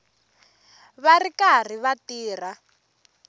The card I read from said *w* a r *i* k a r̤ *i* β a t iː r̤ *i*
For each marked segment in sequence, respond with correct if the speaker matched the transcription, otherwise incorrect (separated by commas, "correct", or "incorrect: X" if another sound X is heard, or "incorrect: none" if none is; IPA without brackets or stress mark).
incorrect: β, correct, correct, incorrect: a